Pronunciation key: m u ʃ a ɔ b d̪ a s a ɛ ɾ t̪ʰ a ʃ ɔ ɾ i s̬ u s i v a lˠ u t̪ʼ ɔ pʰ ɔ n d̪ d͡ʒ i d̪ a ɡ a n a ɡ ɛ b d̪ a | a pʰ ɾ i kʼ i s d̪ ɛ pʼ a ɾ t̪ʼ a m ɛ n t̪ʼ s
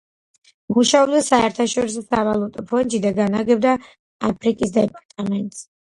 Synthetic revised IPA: m u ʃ a ɔ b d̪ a s a ɛ ɾ t̪ʰ a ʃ ɔ ɾ i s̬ ɔ s a v a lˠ u t̪ʼ ɔ pʰ ɔ n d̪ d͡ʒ i d̪ a ɡ a n a ɡ ɛ b d̪ a | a pʰ ɾ i kʼ i s d̪ ɛ pʼ a ɾ t̪ʼ a m ɛ n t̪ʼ s